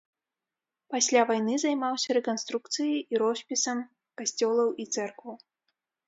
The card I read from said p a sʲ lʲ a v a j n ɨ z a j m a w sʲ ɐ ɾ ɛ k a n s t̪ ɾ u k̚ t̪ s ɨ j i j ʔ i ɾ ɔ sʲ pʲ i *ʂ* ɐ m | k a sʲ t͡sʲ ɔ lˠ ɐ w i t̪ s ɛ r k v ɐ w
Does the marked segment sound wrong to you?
yes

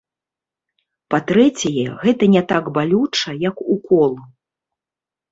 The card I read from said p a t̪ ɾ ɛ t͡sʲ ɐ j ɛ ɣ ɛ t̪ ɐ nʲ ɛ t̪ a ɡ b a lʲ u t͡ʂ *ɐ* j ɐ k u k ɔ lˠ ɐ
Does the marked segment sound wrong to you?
no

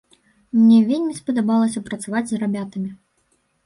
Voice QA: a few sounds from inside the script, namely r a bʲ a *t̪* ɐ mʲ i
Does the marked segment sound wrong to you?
no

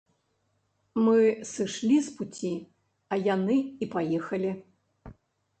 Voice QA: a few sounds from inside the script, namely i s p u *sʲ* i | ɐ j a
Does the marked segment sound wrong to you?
yes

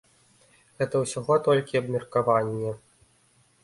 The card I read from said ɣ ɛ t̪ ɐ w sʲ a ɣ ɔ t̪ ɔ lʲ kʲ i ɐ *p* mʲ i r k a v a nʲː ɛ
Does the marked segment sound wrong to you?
yes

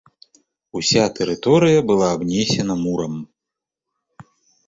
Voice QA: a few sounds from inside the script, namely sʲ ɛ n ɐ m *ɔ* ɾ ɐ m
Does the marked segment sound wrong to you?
yes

